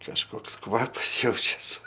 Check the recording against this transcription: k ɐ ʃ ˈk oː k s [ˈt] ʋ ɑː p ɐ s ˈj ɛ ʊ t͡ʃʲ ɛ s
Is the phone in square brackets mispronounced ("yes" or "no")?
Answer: yes